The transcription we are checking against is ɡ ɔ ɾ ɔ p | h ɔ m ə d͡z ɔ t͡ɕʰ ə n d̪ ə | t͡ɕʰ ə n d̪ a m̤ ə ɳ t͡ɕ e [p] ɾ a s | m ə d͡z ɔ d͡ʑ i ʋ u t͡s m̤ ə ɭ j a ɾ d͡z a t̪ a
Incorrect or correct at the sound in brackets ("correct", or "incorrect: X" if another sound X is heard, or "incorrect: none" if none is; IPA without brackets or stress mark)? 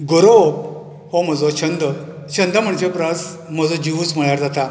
correct